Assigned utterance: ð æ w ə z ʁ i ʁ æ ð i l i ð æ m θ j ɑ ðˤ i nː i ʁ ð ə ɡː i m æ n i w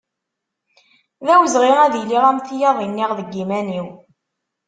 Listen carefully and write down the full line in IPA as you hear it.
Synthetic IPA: ð æ w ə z ʁ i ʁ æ ð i l i ʁ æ m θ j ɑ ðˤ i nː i ʁ ð ə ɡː i m æ n i w